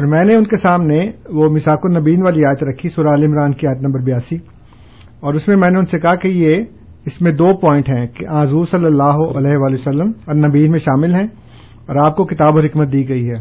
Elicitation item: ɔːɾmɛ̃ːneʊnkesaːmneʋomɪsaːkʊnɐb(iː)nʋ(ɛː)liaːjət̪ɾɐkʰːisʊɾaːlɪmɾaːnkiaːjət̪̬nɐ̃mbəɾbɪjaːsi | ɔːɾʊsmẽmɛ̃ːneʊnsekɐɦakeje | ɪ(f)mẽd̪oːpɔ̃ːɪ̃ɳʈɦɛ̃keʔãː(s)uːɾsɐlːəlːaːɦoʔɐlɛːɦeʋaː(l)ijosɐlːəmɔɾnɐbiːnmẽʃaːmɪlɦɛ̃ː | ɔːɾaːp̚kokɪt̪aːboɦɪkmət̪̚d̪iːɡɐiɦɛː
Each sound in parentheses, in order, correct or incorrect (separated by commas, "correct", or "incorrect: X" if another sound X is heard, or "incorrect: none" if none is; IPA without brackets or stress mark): correct, incorrect: aː, incorrect: s, incorrect: z, correct